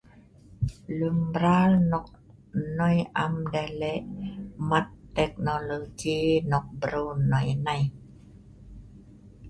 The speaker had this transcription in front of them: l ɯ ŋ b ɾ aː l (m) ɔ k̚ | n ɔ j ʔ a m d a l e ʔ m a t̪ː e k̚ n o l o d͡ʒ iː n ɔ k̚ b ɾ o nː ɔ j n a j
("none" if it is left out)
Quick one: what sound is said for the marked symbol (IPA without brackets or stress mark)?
n